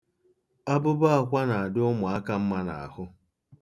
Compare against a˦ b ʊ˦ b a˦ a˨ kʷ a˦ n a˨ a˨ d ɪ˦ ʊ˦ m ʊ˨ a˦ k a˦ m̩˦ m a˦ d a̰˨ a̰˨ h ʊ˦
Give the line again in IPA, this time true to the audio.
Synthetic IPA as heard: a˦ b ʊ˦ b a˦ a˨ kʷ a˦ n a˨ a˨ d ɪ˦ ʊ˦ m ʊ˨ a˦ k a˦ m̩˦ m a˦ n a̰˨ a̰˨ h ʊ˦